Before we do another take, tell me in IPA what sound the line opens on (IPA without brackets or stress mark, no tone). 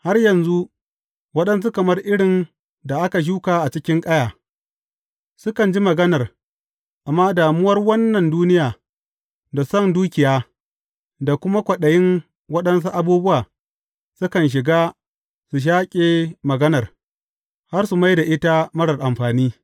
h